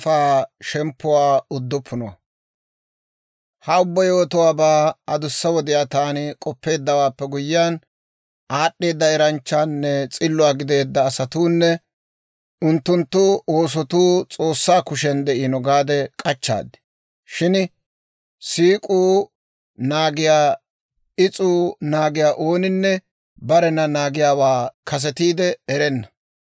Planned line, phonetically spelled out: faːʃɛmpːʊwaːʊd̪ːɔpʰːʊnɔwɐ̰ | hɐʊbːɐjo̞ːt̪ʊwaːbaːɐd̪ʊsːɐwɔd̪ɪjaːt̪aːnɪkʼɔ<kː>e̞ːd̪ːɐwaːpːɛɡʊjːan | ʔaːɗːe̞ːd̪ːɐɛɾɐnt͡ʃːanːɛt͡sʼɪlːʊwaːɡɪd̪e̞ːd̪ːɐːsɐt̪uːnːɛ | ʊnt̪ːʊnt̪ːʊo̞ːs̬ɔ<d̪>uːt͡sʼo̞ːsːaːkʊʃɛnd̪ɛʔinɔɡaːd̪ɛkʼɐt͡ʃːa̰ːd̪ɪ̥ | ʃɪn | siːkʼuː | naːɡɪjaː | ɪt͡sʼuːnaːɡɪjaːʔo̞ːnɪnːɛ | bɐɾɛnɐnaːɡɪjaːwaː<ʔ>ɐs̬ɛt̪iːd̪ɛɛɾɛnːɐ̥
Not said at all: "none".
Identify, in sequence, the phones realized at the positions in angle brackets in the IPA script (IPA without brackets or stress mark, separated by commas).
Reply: pː, t̪, k